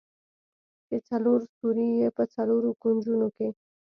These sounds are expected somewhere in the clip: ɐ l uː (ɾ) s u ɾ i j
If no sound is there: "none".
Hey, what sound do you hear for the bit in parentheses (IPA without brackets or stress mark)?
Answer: ɾ